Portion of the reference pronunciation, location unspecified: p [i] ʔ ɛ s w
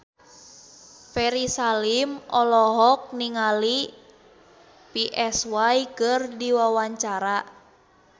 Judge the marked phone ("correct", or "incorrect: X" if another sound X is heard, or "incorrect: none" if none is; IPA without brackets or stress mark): correct